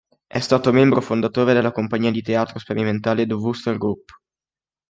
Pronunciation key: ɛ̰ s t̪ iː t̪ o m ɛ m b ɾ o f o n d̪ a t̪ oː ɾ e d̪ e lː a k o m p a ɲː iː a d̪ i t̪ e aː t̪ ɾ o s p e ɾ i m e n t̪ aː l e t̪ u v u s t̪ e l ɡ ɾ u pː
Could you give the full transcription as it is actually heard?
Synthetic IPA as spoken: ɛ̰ s t̪ aː t̪ o m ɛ m b ɾ o f o n d̪ a t̪ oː ɾ e d̪ e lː a k o m p a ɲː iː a d̪ i t̪ e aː t̪ ɾ o s p e ɾ i m e n t̪ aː l e d̪ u v u s t̪ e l ɡ ɾ u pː

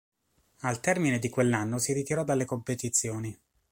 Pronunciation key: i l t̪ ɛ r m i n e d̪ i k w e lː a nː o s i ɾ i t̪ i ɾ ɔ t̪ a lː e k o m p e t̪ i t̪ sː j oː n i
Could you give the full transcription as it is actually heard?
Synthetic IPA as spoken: a l t̪ ɛ r m i n e d̪ i k w e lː a nː o s i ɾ i t̪ i ɾ ɔ d̪ a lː e k o m p e t̪ i t̪ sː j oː n i

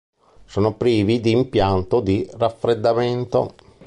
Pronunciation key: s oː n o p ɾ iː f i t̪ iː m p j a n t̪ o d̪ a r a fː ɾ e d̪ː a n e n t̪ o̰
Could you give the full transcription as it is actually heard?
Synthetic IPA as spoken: s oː n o p ɾ iː v i d̪ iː m p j a n t̪ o d̪ i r a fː ɾ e d̪ː a m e n t̪ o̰

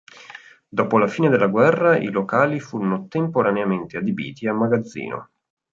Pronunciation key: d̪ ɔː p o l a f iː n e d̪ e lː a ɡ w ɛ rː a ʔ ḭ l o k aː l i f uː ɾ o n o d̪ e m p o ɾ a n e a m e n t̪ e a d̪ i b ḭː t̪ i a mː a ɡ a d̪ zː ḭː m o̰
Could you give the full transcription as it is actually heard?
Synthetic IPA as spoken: d̪ ɔː p o l a f iː n e d̪ e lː a ɡ w ɛ rː a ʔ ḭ l o k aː l i f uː ɾ o n o t̪ e m p o ɾ a n e a m e n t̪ e a d̪ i b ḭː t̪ i a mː a ɡ a d̪ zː ḭː n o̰

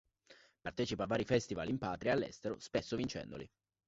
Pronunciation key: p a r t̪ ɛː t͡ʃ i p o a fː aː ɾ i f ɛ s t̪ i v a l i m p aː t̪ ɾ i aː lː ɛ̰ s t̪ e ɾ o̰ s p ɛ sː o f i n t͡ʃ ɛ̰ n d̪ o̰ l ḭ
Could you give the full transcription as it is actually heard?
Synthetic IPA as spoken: p a r t̪ ɛː t͡ʃ i p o a vː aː ɾ i f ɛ s t̪ i v a l i m p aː t̪ ɾ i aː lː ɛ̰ s t̪ e ɾ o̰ s p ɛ sː o v i n t͡ʃ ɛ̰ n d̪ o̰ l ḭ

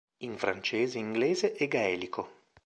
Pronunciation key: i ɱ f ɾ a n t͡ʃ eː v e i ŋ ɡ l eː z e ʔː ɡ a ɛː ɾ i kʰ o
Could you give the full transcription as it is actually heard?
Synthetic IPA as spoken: i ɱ f ɾ a n t͡ʃ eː z e i ŋ ɡ l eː z e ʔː ɡ a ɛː l i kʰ o

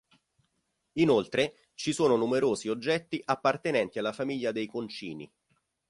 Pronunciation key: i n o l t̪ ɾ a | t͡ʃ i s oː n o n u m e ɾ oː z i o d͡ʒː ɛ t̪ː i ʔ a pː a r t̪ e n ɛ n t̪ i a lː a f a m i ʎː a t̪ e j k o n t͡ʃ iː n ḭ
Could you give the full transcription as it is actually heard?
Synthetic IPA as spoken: i n o l t̪ ɾ e | t͡ʃ i s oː n o n u m e ɾ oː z i o d͡ʒː ɛ t̪ː i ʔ a pː a r t̪ e n ɛ n t̪ i a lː a f a m i ʎː a d̪ e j k o n t͡ʃ iː n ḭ

